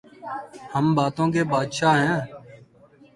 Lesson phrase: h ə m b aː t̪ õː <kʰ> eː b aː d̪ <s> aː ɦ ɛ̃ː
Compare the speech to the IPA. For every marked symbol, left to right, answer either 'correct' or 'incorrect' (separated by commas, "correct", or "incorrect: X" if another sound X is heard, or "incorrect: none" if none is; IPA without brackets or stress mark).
incorrect: k, incorrect: ʃ